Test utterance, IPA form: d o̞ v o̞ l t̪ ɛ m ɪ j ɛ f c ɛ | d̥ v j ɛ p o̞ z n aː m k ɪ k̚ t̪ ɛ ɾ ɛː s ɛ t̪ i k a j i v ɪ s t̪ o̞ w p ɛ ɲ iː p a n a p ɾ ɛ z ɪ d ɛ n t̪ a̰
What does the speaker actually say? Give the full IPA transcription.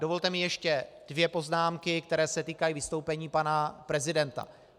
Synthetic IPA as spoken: d o̞ v o̞ l t̪ ɛ m ɪ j ɛ ʃ c ɛ | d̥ v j ɛ p o̞ z n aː m k ɪ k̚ t̪ ɛ ɾ ɛː s ɛ t̪ iː k a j i v ɪ s t̪ o̞ w p ɛ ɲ iː p a n a p ɾ ɛ z ɪ d ɛ n t̪ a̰